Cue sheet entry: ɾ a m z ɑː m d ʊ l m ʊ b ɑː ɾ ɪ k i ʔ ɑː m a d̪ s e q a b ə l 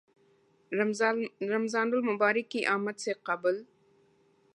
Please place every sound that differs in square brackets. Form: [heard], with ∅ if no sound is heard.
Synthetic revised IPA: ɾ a m z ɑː [n] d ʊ l m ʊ b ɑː ɾ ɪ k i ʔ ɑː m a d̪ s e q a b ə l